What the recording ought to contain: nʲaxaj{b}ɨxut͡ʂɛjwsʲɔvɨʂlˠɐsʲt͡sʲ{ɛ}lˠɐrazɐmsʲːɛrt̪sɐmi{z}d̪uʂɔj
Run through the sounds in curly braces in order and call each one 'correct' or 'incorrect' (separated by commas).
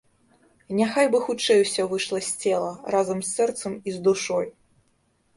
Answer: correct, correct, correct